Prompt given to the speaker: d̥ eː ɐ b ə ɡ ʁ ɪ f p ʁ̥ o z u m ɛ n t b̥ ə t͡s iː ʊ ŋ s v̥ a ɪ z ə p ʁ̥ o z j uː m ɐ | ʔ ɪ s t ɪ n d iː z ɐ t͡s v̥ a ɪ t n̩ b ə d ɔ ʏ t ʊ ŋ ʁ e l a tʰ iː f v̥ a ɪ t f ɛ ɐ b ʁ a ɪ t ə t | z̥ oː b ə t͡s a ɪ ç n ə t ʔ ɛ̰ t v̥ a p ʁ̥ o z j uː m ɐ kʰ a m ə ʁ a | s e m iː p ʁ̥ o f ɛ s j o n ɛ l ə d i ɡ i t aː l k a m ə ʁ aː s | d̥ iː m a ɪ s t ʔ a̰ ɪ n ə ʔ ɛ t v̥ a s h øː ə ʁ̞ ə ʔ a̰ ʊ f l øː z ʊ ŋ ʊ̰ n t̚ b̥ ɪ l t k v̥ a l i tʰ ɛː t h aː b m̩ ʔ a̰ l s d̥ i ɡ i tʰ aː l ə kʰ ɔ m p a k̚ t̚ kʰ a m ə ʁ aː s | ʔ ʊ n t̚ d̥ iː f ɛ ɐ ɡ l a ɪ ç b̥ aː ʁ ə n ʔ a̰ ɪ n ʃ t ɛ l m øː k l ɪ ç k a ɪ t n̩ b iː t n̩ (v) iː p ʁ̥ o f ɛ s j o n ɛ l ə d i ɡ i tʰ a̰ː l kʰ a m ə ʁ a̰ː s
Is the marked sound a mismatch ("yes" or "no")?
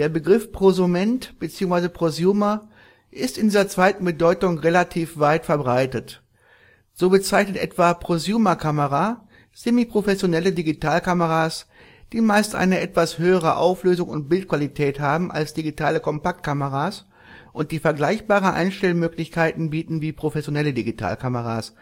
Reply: no